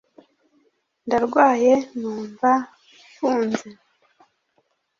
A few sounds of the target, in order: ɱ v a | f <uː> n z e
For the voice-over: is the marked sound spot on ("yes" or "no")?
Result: yes